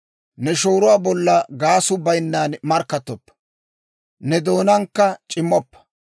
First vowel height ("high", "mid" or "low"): mid